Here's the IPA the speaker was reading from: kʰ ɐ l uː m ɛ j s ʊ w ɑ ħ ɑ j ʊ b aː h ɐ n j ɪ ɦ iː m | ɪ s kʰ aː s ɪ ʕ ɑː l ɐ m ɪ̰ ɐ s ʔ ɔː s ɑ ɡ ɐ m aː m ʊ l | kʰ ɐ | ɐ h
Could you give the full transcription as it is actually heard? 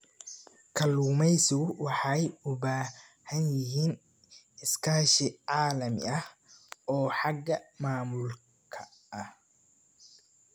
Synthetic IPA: kʰ ɐ l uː m ɛ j s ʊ w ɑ ħ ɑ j ʊ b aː h ɐ n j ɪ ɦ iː n | ɪ s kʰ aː ʃ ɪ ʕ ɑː l ɐ m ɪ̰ ɐ h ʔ ɔː ħ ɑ ɡ ɐ m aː m ʊ l | kʰ ɐ | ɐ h

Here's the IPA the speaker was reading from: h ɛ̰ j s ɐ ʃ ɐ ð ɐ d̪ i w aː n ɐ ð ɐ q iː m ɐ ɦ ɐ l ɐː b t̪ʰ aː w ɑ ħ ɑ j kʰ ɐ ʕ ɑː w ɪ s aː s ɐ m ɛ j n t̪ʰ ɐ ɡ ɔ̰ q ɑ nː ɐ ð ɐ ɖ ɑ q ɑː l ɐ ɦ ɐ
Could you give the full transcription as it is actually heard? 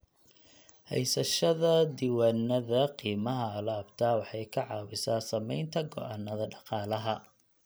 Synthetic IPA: h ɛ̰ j s ɐ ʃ ɐ ð ɐ d̪ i w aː n ɐ ð ɐ q iː m ɐ ɦ ɐ l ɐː b t̪ʰ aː w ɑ ħ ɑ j kʰ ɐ ʕ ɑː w ɪ s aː s ɐ m ɛ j n t̪ʰ ɐ ɡ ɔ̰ ʔ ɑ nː ɐ ð ɐ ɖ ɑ q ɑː l ɐ ɦ ɐ

